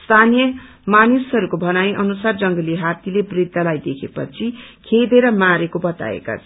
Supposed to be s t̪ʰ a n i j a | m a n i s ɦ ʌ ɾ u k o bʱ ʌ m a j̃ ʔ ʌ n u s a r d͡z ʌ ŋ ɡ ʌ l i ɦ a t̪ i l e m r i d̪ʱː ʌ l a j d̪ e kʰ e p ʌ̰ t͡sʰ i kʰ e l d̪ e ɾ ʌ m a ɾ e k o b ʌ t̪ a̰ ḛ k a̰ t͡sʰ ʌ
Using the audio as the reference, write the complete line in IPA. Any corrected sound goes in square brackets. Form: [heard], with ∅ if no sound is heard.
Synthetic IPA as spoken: s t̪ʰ a n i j [ʌ] | m a n i s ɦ ʌ ɾ u k o bʱ ʌ [n] a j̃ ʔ ʌ n u s a r d͡z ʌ ŋ ɡ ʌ l i ɦ a t̪ i l e [b] r i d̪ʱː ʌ l a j d̪ e kʰ e p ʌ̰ t͡sʰ i kʰ e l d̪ e ɾ ʌ m a ɾ e k o b ʌ t̪ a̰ ḛ k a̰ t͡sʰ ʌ